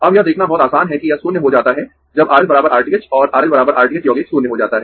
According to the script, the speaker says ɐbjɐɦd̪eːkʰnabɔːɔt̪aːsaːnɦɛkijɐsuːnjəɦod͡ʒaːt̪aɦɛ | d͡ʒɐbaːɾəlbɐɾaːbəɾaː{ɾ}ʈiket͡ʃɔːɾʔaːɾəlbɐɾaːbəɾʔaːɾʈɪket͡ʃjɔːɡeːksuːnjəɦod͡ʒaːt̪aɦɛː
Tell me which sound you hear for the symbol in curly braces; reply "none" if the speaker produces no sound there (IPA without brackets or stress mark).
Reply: ɾ